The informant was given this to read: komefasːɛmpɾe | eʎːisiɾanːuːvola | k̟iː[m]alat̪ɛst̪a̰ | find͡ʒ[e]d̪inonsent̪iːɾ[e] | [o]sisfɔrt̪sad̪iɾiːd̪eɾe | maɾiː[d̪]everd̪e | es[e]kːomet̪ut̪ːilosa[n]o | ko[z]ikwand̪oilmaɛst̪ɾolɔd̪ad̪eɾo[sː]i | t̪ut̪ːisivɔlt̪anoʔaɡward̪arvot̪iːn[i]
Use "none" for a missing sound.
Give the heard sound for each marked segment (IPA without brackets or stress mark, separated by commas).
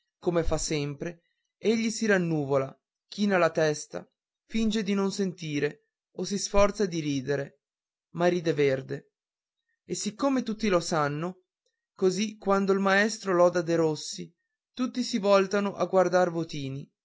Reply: n, e, e, o, d̪, i, nː, z, sː, i